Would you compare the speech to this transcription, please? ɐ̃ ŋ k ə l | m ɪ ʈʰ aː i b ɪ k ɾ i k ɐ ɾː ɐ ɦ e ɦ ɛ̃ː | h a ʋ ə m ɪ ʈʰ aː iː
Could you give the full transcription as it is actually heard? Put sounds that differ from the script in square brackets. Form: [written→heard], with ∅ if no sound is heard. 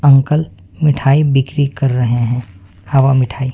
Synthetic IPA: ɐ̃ ŋ k ə l | m ɪ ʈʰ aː i b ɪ k ɾ i k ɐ ɾː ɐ ɦ e ɦ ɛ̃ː | h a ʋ [ə→a] m ɪ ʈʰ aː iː